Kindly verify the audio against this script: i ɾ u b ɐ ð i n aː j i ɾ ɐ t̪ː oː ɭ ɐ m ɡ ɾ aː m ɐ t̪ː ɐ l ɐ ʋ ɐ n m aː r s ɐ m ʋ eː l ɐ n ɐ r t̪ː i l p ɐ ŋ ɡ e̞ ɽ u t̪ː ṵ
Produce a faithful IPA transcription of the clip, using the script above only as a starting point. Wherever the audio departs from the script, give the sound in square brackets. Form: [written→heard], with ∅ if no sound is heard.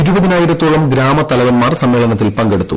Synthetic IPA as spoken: i ɾ u b ɐ ð i n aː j i ɾ ɐ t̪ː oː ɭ ɐ m ɡ ɾ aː m ɐ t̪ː ɐ l ɐ ʋ ɐ n m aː r s ɐ m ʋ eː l ɐ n ɐ [r→∅] t̪ː i l p ɐ ŋ ɡ e̞ ɽ u t̪ː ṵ